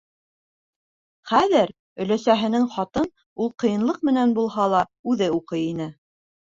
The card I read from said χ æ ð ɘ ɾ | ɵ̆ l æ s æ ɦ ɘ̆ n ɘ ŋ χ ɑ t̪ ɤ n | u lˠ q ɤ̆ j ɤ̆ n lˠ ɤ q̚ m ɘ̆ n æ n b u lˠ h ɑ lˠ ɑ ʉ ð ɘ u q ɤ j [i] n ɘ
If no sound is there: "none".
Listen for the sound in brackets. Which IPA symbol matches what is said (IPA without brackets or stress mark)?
i